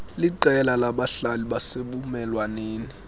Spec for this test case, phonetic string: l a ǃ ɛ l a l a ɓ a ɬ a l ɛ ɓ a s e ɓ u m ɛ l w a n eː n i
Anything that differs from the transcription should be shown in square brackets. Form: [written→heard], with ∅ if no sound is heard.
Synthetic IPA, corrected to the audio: l [a→i] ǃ ɛ l a l a ɓ a ɬ a l [ɛ→i] ɓ a s e ɓ u m ɛ l w a n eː n i